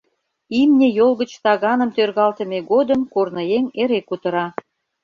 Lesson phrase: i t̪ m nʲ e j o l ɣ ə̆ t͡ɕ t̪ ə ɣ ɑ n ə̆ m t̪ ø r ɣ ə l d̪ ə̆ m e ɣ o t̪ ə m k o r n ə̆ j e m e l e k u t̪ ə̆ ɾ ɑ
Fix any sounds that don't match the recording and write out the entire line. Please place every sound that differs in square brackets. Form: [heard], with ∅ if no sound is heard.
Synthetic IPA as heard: i [∅] m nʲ e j o l ɣ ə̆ t͡ɕ t̪ [ɑ] ɣ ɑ n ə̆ m t̪ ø r ɣ [ɑ] l [t̪] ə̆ m e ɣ o [d̪] ə m k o r n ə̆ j e [ŋ] e [ɾ] e k u t̪ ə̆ ɾ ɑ